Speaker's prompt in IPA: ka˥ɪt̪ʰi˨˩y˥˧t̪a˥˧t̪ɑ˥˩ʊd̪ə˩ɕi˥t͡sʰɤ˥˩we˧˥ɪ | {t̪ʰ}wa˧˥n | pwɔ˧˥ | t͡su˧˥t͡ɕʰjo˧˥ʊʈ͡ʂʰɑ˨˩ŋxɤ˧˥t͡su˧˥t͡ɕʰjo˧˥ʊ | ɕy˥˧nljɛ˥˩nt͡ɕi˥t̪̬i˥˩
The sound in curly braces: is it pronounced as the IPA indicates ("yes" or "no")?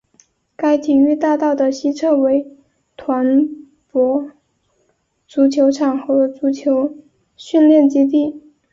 yes